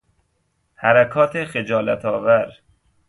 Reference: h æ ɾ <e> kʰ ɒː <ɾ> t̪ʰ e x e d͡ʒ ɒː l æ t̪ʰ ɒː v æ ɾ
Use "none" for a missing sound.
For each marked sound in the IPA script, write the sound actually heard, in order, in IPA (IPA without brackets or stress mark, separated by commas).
æ, none